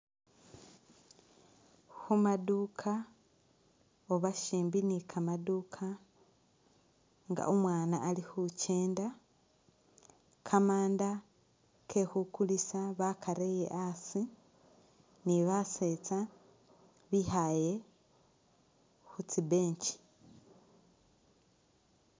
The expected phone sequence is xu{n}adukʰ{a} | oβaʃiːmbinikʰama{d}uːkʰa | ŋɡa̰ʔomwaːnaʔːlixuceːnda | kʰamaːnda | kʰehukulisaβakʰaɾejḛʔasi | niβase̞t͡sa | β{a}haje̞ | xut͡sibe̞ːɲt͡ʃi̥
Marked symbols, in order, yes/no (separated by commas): no, yes, yes, no